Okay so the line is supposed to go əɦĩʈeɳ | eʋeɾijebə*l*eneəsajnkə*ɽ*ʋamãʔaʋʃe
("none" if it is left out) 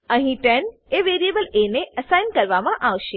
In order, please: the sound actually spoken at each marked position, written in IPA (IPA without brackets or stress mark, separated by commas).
l, ɾ